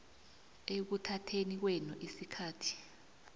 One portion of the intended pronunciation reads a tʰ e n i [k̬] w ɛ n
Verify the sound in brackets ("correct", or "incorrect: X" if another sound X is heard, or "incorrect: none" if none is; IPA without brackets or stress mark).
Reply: correct